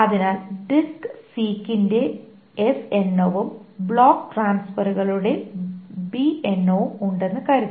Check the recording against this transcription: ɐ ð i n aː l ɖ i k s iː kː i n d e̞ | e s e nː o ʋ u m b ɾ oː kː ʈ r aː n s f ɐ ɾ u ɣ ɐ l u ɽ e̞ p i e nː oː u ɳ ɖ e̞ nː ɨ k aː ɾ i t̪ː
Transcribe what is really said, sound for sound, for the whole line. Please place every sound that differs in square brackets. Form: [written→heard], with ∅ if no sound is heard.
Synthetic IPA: ɐ ð i n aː l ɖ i k s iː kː i n d e̞ | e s e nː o ʋ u m b [ɾ→ɭ] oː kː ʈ r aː n s f ɐ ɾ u ɣ ɐ [l→ɭ] u ɽ e̞ [p→b] i e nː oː u ɳ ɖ e̞ nː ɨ k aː ɾ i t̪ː